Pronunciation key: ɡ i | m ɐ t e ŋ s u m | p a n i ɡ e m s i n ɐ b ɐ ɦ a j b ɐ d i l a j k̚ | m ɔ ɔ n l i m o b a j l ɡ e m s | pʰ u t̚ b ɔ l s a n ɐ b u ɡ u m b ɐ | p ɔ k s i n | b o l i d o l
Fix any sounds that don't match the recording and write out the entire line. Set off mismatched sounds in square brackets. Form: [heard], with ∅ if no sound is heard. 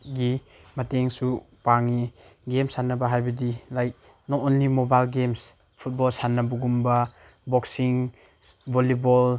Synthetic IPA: ɡ i | m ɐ t e ŋ s u [∅] | p a [ŋ] i ɡ e m s [a] n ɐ b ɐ ɦ a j b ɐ d i l a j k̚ | [n] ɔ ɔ n l i m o b a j l ɡ e m s | pʰ u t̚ b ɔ l s a n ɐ b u ɡ u m b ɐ | [b] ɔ k s i [ŋ] | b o l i [b] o l